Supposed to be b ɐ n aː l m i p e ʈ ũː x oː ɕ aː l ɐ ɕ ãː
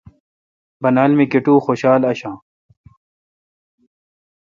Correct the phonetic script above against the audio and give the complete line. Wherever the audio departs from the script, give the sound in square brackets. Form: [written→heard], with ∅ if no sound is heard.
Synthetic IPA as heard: b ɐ n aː l m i [p→k] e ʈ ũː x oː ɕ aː l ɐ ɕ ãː